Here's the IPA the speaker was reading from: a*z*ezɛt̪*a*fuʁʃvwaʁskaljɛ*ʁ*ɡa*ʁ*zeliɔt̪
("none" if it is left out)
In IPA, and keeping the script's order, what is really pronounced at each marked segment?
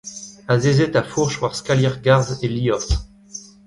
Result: z, a, ʁ, ʁ

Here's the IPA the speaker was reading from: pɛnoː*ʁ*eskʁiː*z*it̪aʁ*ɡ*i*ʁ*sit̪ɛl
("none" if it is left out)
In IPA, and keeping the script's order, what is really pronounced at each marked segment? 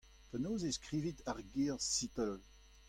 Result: z, v, ɡ, ʁ

